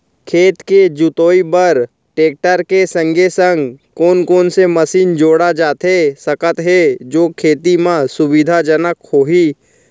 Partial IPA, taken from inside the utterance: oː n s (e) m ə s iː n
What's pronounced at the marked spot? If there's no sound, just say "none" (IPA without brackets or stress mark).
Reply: e